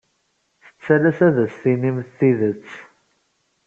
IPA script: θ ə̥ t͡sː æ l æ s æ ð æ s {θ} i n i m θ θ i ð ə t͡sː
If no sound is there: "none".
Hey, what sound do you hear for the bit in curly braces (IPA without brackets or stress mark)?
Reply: θ